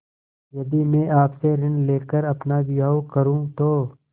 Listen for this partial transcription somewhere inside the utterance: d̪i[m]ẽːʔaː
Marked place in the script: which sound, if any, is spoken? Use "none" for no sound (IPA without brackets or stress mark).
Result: m